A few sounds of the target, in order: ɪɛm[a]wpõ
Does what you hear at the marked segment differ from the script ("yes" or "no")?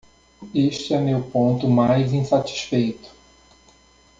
yes